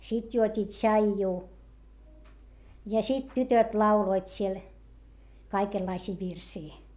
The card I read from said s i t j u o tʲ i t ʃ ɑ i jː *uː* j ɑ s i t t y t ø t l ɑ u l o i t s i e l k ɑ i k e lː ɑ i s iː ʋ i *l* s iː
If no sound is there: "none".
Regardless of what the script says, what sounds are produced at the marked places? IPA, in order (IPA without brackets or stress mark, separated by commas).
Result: uː, r